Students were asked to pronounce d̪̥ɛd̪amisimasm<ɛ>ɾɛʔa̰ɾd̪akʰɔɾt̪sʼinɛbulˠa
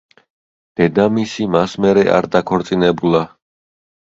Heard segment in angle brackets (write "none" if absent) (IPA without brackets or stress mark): ɛ